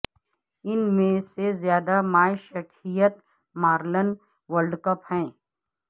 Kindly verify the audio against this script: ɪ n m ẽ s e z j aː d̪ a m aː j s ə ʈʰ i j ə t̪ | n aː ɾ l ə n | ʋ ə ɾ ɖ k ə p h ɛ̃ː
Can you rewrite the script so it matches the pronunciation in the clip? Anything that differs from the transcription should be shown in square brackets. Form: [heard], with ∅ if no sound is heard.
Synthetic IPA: ɪ n m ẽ s e z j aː d̪ a m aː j [ʃ] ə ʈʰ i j ə t̪ | [m] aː ɾ l ə n | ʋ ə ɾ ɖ k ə p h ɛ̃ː